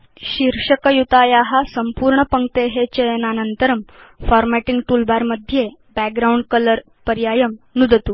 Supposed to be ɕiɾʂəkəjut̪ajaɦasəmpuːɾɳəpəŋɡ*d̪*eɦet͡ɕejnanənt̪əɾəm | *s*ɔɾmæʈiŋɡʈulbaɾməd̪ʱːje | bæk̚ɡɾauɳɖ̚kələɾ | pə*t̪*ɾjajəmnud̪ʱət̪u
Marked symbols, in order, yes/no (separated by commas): no, no, no